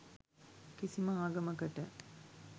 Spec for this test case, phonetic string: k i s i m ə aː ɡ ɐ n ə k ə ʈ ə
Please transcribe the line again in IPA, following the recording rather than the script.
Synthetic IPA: k i s i m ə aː ɡ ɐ m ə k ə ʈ ə